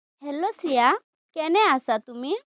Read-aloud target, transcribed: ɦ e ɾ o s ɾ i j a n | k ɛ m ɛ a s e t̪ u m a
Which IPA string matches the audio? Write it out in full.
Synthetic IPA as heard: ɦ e l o s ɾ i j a | k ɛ n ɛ a s a t̪ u m i